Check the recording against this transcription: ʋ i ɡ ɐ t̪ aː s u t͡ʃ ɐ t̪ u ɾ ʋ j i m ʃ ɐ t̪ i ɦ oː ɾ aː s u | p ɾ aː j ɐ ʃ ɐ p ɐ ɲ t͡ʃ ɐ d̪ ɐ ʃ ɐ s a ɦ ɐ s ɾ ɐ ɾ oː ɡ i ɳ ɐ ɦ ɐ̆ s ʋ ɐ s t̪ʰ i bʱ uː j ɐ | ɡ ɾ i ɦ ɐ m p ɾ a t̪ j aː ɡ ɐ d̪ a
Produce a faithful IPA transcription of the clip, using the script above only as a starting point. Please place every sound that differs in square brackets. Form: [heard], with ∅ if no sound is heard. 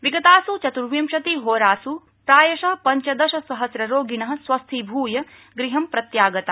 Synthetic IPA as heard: ʋ i ɡ ɐ t̪ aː s u t͡ʃ ɐ t̪ u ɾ ʋ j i m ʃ ɐ t̪ i ɦ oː ɾ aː s u | p ɾ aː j ɐ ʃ ɐ p ɐ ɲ t͡ʃ ɐ d̪ ɐ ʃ ɐ s [ɐ] ɦ ɐ s ɾ ɐ ɾ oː ɡ i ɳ ɐ ɦ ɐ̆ s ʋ ɐ s t̪ʰ i bʱ uː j ɐ | ɡ ɾ i ɦ ɐ m p ɾ [ɐ] t̪ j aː ɡ ɐ [t̪] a